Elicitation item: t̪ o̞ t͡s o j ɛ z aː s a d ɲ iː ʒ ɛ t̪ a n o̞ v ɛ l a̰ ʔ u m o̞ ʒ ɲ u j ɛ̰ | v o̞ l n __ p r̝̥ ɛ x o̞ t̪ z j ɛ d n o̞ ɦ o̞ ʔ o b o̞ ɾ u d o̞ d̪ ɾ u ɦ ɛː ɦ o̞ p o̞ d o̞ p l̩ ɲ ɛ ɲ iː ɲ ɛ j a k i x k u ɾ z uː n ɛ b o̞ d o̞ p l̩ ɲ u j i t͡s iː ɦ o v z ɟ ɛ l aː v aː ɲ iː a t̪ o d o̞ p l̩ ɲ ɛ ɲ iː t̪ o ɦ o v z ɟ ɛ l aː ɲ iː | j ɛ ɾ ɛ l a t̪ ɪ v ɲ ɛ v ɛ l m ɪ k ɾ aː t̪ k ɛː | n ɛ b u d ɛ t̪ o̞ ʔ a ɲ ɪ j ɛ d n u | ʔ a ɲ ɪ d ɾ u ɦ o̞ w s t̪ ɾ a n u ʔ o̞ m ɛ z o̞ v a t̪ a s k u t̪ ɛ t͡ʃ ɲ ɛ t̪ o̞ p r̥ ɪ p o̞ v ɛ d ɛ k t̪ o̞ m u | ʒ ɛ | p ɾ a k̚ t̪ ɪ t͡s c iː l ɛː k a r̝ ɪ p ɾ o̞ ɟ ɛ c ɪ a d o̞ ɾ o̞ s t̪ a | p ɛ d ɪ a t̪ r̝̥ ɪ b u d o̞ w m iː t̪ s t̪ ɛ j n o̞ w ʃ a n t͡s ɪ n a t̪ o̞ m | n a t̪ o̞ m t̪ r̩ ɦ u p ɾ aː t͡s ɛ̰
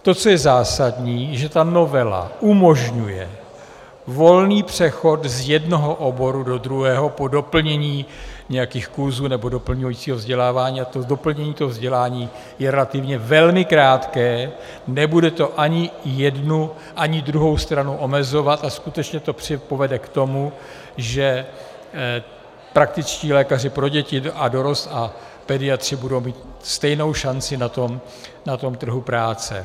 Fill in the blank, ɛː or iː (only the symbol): iː